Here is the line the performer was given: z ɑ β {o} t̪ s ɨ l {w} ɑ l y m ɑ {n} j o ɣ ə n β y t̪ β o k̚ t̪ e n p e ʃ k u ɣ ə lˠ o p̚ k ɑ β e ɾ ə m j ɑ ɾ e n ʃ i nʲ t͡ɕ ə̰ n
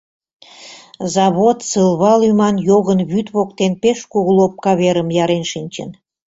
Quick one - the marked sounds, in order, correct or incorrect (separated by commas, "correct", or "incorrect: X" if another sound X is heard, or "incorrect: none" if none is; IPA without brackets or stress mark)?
correct, incorrect: β, correct